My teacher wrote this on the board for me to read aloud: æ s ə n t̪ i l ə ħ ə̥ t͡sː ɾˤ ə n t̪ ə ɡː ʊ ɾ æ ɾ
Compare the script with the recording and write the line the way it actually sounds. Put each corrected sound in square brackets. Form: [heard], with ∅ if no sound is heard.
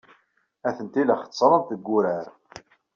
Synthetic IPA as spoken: æ [θ] ə n t̪ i l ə [χ] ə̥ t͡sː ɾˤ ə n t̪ ə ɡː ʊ ɾ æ ɾ